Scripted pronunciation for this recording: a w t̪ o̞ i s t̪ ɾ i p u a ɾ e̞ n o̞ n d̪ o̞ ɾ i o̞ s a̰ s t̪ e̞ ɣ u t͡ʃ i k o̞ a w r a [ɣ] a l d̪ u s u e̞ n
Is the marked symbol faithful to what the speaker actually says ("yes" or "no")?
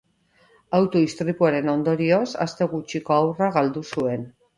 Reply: yes